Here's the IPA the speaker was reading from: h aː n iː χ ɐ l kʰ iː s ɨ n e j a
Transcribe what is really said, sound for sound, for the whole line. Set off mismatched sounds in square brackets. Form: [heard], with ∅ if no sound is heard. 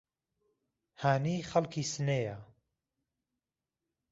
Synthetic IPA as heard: h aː n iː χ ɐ l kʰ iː s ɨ n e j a